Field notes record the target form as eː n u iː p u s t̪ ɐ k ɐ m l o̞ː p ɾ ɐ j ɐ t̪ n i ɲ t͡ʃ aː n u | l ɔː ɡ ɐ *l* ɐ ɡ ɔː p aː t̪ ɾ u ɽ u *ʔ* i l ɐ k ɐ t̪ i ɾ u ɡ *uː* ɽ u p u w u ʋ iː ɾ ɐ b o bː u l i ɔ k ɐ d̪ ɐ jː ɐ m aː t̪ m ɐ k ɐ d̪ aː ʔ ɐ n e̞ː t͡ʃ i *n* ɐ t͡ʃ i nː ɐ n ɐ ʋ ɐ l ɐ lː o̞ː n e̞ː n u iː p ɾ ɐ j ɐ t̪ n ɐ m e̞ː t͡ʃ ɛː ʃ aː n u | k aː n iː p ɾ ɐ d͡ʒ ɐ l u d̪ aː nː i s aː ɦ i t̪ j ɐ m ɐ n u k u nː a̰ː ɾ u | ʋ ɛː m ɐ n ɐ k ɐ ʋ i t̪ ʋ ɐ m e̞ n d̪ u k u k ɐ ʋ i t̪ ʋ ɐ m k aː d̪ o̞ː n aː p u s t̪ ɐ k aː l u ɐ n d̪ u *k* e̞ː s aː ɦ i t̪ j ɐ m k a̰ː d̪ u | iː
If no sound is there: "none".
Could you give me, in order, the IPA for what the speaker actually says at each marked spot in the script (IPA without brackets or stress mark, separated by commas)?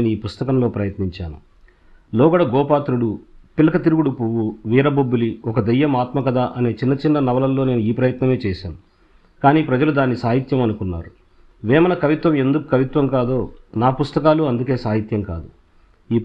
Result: ɽ, p, u, nː, k